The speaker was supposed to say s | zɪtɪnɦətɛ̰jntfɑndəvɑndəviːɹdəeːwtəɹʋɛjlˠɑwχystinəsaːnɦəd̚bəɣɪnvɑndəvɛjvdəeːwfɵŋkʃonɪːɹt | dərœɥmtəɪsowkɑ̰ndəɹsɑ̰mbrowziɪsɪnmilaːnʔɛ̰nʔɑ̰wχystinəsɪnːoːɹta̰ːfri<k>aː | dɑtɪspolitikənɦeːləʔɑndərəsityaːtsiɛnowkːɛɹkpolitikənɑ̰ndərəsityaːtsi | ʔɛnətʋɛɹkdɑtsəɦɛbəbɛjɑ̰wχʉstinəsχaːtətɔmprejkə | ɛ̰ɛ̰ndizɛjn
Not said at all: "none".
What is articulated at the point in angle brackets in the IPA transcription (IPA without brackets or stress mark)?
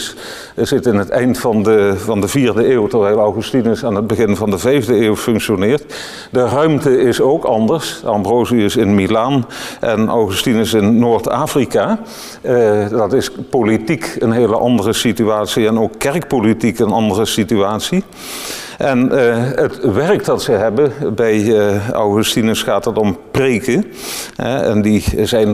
k